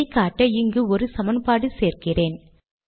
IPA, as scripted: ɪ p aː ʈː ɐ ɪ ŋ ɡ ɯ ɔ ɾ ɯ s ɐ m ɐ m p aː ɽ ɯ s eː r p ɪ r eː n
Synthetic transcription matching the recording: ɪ k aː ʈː ɐ ɪ ŋ ɡ ɯ ɔ ɾ ɯ s ɐ m ɐ n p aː ɽ ɯ s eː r k ɪ r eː n